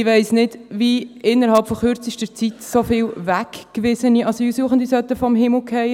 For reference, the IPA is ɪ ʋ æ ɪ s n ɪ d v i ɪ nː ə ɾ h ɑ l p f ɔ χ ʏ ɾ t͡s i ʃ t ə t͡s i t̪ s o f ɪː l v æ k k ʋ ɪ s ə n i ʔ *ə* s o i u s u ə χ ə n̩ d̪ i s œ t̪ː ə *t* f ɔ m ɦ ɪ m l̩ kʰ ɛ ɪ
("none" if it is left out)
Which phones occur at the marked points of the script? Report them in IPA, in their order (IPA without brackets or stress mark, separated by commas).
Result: ɑ, none